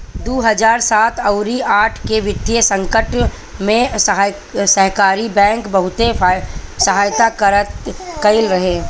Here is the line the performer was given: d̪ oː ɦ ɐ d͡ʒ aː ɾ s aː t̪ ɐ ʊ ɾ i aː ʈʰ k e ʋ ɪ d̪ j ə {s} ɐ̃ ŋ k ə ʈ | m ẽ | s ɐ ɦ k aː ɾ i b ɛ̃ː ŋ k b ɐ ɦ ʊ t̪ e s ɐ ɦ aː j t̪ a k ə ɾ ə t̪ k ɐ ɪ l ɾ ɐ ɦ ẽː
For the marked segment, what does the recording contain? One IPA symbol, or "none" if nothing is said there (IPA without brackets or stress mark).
s